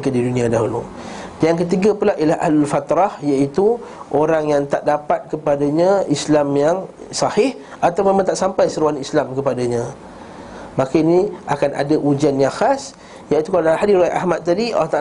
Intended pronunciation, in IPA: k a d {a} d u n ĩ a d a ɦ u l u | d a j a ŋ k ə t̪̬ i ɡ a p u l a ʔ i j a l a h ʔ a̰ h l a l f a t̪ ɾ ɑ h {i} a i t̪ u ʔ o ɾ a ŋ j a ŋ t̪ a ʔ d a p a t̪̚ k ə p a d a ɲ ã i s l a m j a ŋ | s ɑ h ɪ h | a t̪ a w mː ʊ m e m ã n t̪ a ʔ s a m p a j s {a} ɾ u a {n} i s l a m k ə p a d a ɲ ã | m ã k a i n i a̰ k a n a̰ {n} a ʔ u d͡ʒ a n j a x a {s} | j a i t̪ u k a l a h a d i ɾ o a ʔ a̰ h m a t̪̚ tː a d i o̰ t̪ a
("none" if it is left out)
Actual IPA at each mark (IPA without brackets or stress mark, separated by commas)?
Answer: i, j, ə, n, d, s